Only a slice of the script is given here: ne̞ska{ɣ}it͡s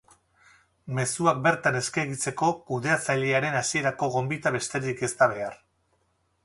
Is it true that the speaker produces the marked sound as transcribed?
yes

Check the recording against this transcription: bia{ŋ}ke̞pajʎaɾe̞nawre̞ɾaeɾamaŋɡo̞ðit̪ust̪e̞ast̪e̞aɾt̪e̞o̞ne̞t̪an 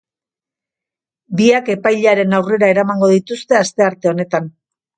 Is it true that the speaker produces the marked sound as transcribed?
no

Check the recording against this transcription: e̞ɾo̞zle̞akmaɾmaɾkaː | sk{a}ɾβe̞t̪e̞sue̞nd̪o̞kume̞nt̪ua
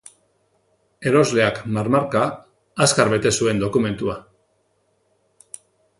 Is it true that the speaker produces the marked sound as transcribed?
yes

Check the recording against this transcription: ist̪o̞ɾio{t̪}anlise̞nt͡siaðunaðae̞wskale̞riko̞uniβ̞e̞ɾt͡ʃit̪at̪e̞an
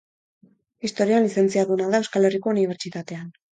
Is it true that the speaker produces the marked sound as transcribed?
no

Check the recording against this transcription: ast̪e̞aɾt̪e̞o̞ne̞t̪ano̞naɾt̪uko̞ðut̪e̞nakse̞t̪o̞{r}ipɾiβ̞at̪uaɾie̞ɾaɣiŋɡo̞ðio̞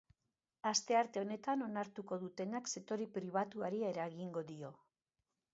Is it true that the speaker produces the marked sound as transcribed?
no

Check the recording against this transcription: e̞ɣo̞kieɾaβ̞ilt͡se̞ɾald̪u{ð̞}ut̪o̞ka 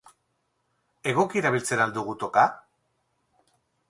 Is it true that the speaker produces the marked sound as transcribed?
no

